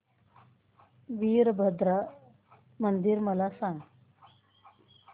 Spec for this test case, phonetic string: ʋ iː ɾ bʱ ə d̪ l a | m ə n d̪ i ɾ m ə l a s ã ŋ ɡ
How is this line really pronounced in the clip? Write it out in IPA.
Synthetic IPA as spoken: ʋ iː ɾ bʱ ə d̪ ɾ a | m ə n d̪ i ɾ m ə l a s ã ŋ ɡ